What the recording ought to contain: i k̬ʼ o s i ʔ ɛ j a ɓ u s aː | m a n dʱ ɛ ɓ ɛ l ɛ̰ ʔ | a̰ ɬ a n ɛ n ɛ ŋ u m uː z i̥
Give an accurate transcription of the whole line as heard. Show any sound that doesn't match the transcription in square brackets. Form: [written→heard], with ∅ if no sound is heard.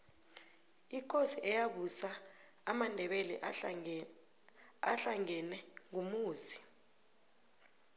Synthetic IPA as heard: i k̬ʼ o s i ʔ ɛ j a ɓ u s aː | m a n dʱ ɛ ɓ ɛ l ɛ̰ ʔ | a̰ ɬ a [n→ŋ] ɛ n ɛ ŋ u m uː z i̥